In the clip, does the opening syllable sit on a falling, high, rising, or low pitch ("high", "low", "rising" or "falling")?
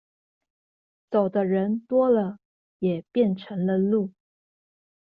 low